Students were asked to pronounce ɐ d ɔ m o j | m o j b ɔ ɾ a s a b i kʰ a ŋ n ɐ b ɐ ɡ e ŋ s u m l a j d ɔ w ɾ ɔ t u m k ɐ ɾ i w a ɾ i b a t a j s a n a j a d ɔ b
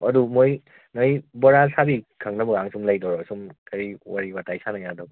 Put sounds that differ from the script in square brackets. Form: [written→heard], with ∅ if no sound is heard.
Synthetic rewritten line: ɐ d [ɔ→u] m o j | [m→n] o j b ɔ ɾ a s a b i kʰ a ŋ n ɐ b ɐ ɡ [e→a] ŋ s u m l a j d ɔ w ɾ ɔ [t→s] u m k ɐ ɾ i w a ɾ i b a t a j s a n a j a d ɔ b